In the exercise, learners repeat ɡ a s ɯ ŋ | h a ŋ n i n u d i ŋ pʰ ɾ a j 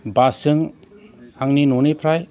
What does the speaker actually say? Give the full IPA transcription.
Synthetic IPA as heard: b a s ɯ ŋ | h a ŋ n i n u n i pʰ ɾ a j